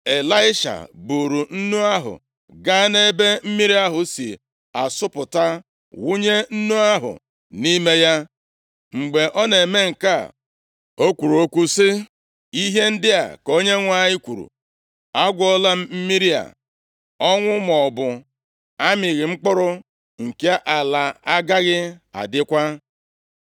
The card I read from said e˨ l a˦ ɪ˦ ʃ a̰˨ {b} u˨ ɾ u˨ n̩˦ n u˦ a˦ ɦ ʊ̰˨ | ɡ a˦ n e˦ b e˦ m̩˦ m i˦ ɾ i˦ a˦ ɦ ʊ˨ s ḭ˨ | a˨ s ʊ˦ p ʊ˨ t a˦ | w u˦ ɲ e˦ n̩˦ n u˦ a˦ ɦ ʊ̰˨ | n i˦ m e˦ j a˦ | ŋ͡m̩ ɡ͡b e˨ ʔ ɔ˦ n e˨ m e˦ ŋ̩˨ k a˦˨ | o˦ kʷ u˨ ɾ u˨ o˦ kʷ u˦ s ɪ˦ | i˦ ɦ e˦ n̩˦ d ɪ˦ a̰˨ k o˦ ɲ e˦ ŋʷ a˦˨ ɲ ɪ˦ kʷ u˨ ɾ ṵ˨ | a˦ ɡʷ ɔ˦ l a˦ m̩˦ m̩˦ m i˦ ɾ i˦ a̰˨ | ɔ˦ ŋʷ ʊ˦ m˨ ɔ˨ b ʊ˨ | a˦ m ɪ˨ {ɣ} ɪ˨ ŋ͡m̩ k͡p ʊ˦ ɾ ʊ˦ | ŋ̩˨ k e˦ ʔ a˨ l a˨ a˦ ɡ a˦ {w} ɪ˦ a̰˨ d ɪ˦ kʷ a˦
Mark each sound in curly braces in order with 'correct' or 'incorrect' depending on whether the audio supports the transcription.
correct, correct, incorrect: ɣ

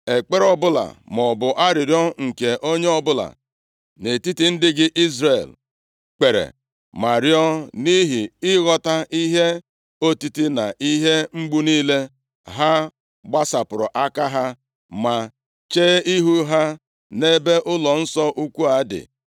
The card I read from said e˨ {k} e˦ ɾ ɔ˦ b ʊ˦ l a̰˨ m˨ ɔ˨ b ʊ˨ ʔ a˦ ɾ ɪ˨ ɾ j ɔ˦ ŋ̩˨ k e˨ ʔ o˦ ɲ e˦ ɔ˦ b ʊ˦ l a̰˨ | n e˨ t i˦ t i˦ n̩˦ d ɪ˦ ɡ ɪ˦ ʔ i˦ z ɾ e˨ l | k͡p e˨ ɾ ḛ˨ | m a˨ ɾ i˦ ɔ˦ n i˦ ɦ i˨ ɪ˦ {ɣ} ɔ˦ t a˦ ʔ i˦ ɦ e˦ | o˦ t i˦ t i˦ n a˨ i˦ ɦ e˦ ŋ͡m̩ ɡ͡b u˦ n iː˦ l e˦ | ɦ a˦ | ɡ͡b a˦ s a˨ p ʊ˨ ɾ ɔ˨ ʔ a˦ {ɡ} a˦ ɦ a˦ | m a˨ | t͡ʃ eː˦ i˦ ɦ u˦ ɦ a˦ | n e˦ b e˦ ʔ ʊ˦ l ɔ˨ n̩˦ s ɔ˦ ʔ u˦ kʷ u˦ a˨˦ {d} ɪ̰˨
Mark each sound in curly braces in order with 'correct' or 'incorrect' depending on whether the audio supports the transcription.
incorrect: k͡p, correct, incorrect: k, correct

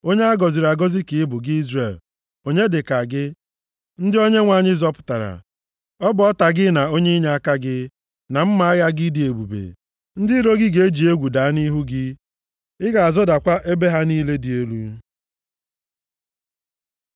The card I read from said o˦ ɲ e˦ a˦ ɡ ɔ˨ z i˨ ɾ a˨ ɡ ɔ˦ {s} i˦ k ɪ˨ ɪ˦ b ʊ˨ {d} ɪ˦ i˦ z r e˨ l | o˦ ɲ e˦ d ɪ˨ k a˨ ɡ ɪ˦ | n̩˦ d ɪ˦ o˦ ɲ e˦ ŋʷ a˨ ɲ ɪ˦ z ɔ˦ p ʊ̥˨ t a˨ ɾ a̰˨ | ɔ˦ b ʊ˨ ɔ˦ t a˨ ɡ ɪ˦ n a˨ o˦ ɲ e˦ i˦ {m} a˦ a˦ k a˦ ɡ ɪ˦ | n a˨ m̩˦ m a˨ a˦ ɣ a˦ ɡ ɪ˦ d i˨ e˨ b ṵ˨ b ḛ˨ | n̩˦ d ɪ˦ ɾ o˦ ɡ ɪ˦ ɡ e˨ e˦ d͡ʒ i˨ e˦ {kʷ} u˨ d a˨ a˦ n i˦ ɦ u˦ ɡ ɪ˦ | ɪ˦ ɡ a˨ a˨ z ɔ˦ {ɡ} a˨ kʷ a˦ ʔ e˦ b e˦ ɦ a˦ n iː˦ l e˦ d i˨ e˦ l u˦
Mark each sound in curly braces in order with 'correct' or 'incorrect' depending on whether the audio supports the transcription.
incorrect: z, incorrect: ɡ, incorrect: ɲ, incorrect: ɡʷ, incorrect: d

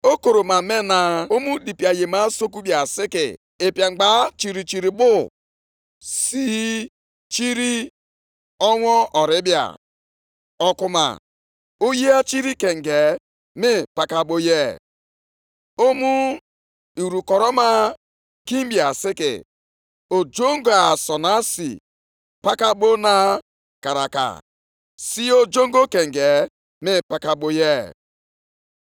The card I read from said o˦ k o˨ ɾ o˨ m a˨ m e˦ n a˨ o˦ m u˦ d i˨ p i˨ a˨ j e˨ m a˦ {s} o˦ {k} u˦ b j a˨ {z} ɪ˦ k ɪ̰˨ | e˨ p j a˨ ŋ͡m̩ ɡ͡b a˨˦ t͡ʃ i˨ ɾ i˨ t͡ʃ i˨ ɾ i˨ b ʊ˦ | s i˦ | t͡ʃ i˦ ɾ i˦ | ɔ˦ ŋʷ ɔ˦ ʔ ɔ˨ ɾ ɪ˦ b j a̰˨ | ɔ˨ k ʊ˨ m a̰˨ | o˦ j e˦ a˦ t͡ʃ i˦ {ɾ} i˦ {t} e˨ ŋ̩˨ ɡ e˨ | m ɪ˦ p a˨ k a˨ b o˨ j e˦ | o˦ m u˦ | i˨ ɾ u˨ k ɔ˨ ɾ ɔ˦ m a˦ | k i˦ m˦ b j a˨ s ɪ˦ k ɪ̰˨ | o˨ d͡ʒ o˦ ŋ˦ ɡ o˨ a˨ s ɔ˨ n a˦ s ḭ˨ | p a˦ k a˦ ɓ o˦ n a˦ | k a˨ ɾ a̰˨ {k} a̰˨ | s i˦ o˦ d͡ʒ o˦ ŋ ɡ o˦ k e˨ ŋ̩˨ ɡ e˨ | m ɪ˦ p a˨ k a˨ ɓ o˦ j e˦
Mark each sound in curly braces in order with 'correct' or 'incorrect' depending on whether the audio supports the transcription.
correct, correct, incorrect: s, correct, incorrect: k, correct

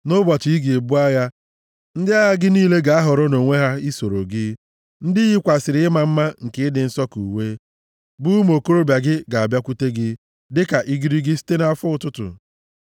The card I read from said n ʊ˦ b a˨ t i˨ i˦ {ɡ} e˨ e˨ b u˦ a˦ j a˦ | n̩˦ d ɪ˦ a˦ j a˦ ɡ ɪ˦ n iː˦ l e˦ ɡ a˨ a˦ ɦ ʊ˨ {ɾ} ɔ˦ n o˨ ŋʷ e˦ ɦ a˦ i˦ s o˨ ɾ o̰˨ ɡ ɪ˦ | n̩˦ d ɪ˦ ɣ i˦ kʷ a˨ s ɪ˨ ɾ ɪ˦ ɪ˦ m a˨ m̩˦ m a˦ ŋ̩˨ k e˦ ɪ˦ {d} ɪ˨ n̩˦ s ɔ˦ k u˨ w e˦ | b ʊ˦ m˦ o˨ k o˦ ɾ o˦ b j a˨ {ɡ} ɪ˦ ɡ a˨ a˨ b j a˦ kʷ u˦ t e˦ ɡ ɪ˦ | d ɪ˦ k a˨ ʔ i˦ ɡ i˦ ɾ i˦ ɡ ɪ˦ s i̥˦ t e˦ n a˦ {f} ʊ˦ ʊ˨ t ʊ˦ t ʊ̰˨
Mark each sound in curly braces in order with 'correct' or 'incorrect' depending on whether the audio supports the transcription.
correct, correct, correct, correct, correct

